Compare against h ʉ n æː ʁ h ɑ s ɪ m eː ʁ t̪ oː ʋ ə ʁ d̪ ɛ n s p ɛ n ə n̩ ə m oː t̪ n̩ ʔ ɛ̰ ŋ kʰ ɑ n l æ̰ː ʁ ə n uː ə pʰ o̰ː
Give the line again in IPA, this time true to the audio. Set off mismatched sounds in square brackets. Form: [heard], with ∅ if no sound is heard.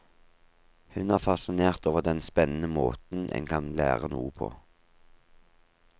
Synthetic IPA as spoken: h ʉ n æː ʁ [f] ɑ s ɪ [n] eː ʁ t̪ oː ʋ ə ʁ d̪ ɛ n s p ɛ n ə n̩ ə m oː t̪ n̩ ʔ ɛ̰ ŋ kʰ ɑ n l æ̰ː ʁ ə n uː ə pʰ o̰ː